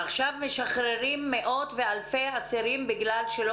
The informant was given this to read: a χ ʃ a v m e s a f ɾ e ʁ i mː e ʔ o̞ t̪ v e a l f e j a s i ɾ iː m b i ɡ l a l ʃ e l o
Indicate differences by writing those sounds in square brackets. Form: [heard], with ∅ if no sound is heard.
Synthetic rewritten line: a χ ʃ a v m e [ʃ] a [χ] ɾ e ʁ i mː e ʔ o̞ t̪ v e a l f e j a s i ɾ [i] m b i ɡ l a l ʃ e l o